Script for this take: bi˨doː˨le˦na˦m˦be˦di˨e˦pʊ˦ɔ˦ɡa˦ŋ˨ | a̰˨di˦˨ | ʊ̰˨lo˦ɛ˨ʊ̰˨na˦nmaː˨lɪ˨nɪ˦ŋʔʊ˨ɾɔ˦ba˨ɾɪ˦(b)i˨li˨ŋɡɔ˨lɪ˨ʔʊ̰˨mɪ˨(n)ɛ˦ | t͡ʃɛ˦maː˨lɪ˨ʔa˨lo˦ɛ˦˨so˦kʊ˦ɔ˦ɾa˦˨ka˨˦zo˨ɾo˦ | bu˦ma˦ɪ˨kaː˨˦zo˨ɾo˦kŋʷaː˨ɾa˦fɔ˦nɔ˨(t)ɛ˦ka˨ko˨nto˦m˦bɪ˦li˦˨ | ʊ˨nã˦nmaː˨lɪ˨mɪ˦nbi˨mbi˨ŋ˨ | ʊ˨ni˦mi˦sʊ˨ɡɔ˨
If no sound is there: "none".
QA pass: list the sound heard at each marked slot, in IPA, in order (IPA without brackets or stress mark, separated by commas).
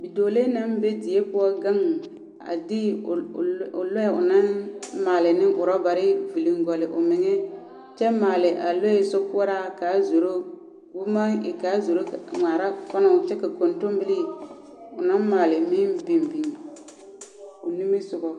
v, ŋ, t͡ʃ